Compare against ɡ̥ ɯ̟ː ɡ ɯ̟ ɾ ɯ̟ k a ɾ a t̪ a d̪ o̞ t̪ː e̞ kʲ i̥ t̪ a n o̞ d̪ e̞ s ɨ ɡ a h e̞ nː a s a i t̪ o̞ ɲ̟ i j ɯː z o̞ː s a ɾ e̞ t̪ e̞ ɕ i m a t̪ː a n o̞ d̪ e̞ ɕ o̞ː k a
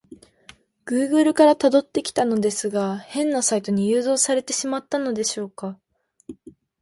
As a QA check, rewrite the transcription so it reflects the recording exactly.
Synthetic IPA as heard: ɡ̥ ɯ̟ː ɡ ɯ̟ ɾ ɯ̟ k a ɾ a t̪ a d̪ o̞ t̪ː e̞ kʲ i̥ t̪ a n o̞ d̪ e̞ s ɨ ɡ a h ẽ̞ nː a s a i t̪ o̞ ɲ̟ i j ɯː z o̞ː s a ɾ e̞ t̪ e̞ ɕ i m a t̪ː a n o̞ d̪ e̞ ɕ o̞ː k a